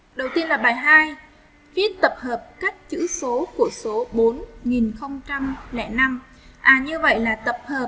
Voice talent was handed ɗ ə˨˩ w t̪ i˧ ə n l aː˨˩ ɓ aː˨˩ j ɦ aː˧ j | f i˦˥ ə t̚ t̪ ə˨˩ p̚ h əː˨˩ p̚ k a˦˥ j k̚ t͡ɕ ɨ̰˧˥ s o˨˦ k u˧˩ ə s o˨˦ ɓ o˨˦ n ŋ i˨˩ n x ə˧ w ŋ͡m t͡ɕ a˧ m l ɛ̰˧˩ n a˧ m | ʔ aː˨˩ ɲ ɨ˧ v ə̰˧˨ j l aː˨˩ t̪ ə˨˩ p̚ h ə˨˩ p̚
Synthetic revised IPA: ɗ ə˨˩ w t̪ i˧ ə n l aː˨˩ ɓ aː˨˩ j ɦ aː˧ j | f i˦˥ ə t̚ t̪ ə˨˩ p̚ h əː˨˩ p̚ k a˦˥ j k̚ t͡ɕ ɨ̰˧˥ s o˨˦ k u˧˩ ə s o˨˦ ɓ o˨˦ n ŋ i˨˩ n x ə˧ w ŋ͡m t͡ɕ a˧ m l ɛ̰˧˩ n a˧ m | ʔ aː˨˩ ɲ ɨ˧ v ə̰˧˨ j l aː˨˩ t̪ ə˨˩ p̚ h əː˨˩ p̚